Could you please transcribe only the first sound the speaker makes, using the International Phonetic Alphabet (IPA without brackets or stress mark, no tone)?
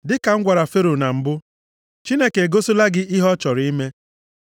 d